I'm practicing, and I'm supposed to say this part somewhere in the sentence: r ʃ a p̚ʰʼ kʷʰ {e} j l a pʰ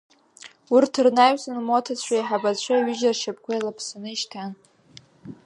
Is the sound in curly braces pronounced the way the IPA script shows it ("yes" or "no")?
no